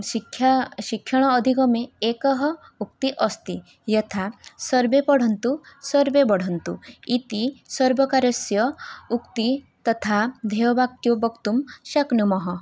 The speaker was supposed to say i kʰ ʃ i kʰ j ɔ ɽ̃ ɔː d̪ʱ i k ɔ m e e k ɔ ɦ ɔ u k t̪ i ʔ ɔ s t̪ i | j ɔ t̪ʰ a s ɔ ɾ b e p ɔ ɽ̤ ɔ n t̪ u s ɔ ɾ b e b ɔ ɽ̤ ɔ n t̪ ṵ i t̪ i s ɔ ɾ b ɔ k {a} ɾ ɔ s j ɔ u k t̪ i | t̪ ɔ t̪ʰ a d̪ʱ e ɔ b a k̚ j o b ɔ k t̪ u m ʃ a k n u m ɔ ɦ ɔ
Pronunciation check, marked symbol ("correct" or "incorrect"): correct